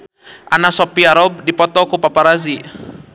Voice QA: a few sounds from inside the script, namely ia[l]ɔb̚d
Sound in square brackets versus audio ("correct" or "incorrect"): incorrect